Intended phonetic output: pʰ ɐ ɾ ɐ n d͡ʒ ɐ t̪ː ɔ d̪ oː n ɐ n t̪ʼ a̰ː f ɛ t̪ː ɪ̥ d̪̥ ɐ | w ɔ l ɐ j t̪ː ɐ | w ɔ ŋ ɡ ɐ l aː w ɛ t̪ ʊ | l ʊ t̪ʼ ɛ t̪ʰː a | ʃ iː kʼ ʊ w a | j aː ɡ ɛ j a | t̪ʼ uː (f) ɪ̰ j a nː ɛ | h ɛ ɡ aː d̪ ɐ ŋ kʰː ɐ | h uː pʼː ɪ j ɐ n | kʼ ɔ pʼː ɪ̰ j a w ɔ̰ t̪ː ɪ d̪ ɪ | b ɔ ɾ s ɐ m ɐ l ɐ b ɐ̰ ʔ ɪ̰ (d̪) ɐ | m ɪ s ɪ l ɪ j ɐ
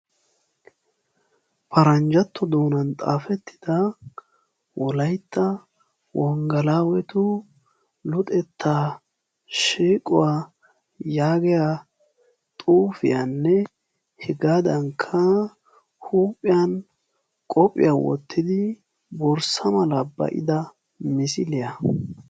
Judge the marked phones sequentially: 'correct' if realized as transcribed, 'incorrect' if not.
correct, correct

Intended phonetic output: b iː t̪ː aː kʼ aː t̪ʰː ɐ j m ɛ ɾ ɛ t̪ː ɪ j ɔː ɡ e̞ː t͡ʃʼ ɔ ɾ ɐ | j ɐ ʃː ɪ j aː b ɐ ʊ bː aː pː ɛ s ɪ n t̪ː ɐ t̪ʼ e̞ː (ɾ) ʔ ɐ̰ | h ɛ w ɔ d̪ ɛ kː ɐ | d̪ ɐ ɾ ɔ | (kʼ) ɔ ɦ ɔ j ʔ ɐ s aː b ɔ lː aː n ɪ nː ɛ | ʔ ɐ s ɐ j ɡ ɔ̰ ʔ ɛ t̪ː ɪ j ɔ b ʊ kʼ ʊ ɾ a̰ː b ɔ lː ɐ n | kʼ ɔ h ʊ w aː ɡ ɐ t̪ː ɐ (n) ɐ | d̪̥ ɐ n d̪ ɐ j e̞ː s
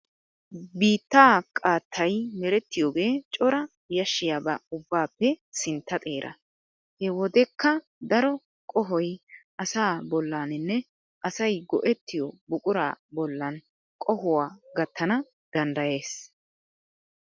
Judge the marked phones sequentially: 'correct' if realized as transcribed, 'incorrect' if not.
correct, correct, correct

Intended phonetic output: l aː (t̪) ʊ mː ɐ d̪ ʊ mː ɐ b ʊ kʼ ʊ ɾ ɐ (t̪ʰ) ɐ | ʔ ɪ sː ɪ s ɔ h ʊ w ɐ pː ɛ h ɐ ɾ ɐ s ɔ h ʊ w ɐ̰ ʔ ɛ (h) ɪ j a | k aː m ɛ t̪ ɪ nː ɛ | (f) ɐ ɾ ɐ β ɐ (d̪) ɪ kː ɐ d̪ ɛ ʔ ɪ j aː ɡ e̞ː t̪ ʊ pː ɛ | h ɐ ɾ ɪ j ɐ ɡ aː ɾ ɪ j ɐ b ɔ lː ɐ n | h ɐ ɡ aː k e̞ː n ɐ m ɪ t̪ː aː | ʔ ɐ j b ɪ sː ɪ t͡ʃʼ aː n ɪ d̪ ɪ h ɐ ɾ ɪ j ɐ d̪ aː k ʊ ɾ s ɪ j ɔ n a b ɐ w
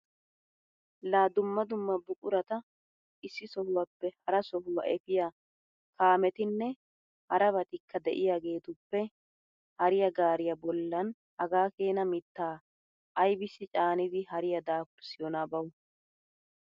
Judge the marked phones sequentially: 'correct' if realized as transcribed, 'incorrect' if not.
incorrect: d̪, incorrect: t̪, incorrect: f, incorrect: h, incorrect: t̪

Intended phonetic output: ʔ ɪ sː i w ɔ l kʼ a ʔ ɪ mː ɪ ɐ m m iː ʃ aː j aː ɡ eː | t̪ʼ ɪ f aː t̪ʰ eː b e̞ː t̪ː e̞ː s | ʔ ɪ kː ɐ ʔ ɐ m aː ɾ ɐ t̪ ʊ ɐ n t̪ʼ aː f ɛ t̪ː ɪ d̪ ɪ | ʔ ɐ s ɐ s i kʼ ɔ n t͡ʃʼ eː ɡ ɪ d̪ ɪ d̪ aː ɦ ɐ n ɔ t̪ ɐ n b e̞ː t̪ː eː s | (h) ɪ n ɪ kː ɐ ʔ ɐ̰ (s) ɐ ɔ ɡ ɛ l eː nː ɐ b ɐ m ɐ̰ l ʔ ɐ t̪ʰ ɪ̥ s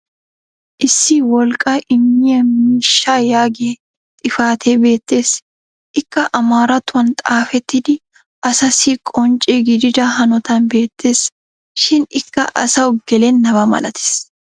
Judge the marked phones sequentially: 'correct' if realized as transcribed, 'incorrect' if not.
incorrect: ʃ, correct

